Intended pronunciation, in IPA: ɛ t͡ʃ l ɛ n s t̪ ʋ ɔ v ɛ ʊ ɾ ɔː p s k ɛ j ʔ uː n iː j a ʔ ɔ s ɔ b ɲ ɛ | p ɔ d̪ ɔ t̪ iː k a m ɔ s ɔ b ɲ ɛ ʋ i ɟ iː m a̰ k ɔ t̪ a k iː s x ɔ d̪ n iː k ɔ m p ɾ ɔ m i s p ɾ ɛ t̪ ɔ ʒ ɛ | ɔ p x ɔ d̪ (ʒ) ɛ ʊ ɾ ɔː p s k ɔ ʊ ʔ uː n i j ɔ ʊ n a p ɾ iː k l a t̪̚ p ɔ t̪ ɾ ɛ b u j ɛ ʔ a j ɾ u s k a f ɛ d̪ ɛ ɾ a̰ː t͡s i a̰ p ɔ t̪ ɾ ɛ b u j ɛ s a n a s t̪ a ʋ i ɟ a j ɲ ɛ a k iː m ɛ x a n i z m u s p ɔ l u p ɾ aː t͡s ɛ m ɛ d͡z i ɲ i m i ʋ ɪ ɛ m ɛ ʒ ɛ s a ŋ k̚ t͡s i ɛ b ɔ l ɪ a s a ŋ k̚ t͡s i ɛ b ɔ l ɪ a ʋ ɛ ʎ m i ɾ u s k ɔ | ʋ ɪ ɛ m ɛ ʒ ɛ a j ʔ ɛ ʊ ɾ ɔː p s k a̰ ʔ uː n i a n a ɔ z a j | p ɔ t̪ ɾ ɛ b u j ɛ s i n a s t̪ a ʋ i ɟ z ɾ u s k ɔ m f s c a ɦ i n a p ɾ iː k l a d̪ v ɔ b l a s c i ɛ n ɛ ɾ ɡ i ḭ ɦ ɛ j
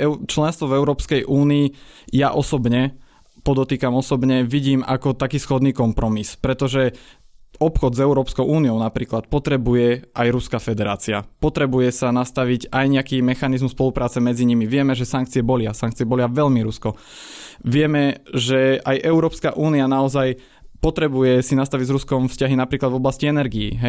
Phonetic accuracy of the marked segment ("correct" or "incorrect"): incorrect